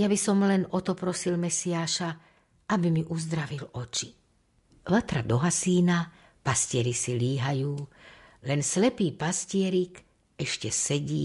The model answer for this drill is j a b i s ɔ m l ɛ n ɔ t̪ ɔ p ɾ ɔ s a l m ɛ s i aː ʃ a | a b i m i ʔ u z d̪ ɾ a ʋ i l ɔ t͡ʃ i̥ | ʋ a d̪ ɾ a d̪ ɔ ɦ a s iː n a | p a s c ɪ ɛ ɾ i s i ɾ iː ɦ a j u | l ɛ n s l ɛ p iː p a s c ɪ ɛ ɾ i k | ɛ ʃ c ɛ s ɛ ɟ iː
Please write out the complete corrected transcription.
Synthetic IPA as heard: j a b i s ɔ m l ɛ n ɔ t̪ ɔ p ɾ ɔ s i l m ɛ s i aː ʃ a | a b i m i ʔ u z d̪ ɾ a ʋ i l ɔ t͡ʃ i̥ | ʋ a t̪ ɾ a d̪ ɔ ɦ a s iː n a | p a s c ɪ ɛ ɾ i s i l iː ɦ a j uː | l ɛ n s l ɛ p iː p a s c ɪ ɛ ɾ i k | ɛ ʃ c ɛ s ɛ ɟ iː